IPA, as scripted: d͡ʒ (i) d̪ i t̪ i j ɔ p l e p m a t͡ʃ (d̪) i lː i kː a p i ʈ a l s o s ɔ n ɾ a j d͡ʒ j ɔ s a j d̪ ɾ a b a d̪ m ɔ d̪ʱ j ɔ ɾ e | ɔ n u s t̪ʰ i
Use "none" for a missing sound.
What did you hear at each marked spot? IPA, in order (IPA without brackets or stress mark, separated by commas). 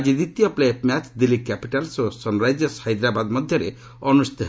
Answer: i, d̪